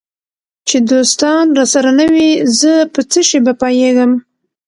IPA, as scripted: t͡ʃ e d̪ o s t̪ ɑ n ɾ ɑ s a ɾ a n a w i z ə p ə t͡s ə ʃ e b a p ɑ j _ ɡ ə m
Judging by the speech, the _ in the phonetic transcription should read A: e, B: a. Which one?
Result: A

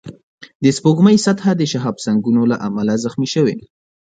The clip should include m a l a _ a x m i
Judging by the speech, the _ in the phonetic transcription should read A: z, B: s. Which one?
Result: A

